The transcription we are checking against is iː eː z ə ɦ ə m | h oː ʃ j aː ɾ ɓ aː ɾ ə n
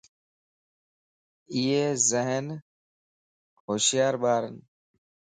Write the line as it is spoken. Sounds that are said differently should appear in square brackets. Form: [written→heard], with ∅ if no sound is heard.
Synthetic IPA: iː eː z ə ɦ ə [m→n] | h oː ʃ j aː ɾ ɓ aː ɾ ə n